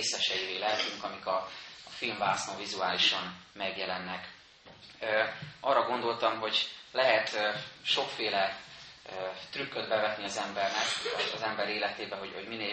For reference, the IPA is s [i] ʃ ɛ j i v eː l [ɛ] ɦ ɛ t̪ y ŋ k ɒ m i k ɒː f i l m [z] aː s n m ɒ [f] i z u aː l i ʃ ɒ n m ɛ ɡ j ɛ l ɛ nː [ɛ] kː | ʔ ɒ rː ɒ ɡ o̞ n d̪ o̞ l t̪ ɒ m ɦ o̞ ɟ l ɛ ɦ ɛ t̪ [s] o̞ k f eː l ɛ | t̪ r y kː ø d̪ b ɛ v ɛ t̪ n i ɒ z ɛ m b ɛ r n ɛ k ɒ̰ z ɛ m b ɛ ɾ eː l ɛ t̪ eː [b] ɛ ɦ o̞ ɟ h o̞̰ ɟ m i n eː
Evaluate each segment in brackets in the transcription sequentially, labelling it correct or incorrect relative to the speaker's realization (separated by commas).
incorrect, correct, incorrect, incorrect, correct, incorrect, correct